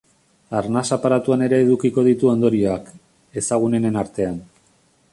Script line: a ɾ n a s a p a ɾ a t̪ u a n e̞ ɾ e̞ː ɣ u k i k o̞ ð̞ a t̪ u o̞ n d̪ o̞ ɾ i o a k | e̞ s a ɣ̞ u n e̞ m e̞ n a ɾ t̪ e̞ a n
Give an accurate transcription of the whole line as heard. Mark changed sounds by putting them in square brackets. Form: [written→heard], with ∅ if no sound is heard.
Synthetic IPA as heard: a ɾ n a s a p a ɾ a t̪ u a n e̞ ɾ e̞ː [ɣ→ð] u k i k o̞ ð̞ [a→i] t̪ u o̞ n d̪ o̞ ɾ i o a k | e̞ s a ɣ̞ u n e̞ [m→n] e̞ n a ɾ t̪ e̞ a n